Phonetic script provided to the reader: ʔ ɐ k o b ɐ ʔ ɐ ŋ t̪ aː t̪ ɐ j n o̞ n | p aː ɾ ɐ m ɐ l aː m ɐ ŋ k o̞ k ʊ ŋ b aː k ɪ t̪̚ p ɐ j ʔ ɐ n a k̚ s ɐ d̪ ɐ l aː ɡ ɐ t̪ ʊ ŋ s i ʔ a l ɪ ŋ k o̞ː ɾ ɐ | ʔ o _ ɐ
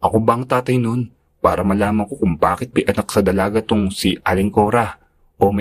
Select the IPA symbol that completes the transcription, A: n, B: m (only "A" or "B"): B